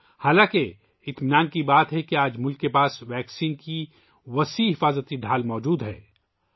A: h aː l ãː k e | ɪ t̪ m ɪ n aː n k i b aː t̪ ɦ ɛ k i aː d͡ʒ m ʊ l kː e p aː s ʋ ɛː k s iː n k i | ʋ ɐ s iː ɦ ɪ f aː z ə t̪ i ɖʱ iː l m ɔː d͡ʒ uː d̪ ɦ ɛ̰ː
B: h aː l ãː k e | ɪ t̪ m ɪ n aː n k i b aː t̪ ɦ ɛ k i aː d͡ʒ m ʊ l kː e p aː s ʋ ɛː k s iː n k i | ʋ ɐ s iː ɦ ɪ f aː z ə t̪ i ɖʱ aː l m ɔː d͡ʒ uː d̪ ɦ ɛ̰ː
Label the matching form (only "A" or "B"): B